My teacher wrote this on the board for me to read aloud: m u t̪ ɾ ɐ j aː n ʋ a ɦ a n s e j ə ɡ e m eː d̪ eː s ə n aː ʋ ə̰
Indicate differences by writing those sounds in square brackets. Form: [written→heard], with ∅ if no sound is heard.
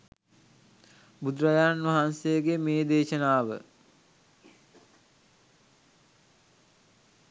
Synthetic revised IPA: [m→b] u [t̪→d̪] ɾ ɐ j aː n ʋ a ɦ a n s e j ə ɡ e m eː d̪ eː [s→ʃ] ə n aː ʋ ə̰

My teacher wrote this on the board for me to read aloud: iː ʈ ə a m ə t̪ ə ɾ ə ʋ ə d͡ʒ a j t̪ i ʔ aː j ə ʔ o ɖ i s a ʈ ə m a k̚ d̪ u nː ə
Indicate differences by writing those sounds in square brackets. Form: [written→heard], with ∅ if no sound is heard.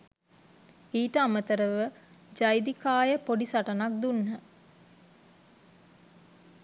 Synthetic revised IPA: iː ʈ ə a m ə t̪ ə ɾ ə ʋ ə d͡ʒ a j [t̪→d̪] i [ʔ→k] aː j ə [ʔ→p] o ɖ i s a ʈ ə [m→n] a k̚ d̪ u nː ə

